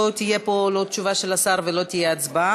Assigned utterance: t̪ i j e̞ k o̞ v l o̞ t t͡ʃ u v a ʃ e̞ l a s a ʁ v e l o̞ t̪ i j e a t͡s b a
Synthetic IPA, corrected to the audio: t̪ i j e̞ p o̞ l o̞ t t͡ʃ u v a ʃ e̞ l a s a ʁ v e l o̞ t̪ i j e a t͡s b a